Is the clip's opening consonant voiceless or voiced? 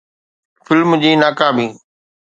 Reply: voiceless